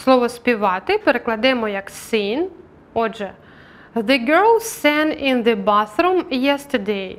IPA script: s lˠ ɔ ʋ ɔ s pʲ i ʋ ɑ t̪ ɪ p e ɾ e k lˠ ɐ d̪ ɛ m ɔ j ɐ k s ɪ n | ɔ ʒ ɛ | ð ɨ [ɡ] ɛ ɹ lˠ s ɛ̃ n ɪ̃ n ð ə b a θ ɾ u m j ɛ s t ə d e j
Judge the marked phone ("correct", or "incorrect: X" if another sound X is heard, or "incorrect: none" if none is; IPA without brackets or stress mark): correct